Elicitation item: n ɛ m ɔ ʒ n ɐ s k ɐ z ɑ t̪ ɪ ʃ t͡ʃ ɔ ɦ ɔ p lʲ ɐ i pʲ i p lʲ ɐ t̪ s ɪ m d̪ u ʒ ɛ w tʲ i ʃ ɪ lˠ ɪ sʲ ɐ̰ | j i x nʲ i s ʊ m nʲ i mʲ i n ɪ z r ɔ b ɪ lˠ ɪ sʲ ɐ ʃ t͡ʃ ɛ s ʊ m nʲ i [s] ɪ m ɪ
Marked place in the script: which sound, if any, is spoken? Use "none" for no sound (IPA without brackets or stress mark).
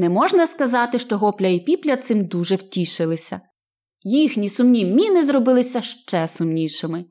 ʃ